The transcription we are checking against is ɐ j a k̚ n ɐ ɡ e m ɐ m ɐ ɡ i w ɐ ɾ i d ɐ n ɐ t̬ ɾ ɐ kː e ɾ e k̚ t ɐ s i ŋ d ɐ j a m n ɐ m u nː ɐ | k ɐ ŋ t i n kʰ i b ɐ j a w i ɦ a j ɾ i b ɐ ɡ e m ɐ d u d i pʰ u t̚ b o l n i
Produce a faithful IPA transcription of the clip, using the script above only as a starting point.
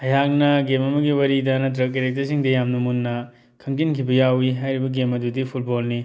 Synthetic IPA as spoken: ɐ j a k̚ n ɐ ɡ e m ɐ m ɐ ɡ i w ɐ ɾ i d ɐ n ɐ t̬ ɾ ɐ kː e ɾ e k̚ t ɐ s i ŋ d ɐ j a m n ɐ m u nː ɐ | kʰ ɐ ŋ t i n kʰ i b ɐ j a w i ɦ a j ɾ i b ɐ ɡ e m ɐ d u d i pʰ u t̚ b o l n i